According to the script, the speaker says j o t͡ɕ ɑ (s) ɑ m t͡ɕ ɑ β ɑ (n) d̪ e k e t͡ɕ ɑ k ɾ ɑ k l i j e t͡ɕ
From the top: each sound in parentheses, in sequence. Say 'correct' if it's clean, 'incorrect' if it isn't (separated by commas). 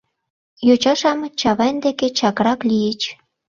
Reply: incorrect, correct